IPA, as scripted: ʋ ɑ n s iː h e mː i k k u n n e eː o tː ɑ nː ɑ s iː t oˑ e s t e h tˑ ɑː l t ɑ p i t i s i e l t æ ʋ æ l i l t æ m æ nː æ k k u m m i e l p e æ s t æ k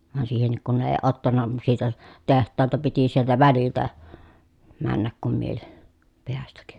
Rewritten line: ʋ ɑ n s iː h e nː i k k u n n e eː o tː ɑ nː ɑ s iː t oˑ e s t e h tˑ ɑː l t ɑ p i t i s i e l t æ ʋ æ l i l t æ m æ nː æ k k u m m i e l p e æ s t æ k